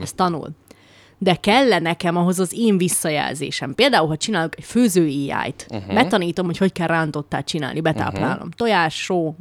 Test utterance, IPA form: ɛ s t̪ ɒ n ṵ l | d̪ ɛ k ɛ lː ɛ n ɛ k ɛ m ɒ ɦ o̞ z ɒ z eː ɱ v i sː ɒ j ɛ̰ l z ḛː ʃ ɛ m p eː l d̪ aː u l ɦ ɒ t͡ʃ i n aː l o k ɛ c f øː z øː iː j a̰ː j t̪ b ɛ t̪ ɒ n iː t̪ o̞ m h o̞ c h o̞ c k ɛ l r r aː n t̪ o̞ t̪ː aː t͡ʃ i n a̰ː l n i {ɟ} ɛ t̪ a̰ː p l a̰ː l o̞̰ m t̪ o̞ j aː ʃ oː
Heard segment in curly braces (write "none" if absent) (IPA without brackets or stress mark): b